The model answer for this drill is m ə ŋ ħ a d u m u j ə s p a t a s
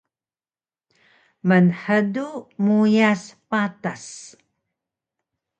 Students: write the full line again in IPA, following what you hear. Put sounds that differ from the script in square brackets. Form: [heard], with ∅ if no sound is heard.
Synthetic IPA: m ə [n] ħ [ə] d u m u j [a] s p a t a s